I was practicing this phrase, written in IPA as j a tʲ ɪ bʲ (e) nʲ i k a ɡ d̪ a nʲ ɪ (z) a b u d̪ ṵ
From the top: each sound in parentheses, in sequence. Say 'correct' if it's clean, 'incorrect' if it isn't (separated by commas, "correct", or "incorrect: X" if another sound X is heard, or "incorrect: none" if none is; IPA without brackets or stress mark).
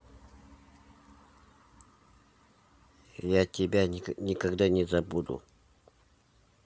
incorrect: a, correct